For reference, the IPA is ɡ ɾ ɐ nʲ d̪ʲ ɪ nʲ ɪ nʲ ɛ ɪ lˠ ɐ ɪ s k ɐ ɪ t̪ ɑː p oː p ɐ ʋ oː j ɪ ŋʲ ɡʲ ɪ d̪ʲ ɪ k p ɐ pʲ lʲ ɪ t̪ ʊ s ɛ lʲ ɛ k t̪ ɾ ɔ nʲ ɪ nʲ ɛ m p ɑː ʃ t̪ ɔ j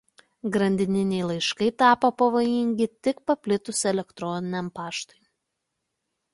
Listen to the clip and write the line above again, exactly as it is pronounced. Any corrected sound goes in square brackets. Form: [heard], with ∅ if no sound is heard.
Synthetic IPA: ɡ ɾ ɐ nʲ d̪ʲ ɪ nʲ ɪ nʲ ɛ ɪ lˠ ɐ ɪ [ʃ] k ɐ ɪ t̪ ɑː p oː p ɐ ʋ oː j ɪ ŋʲ ɡʲ ɪ [t̪ʲ] ɪ k p ɐ pʲ lʲ ɪ t̪ ʊ s ɛ lʲ ɛ k t̪ ɾ ɔ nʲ ɪ nʲ ɛ m p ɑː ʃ t̪ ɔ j